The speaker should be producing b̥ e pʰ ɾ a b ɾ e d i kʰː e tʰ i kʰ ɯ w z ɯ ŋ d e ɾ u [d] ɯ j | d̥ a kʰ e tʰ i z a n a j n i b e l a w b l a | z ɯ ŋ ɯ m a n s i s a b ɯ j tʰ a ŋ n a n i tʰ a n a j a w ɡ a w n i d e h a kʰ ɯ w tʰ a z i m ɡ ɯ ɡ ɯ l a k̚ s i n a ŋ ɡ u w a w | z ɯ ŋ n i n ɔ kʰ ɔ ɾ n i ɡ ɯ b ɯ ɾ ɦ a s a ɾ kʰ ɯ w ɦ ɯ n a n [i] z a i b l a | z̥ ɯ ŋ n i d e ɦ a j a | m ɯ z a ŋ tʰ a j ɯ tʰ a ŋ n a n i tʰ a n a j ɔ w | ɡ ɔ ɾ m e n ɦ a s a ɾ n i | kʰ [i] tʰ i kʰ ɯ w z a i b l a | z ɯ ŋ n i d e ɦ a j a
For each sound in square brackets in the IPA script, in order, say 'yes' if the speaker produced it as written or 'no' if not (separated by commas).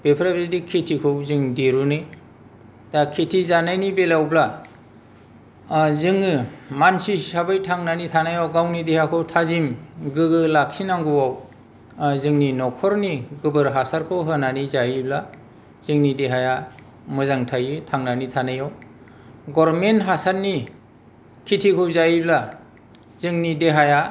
no, yes, yes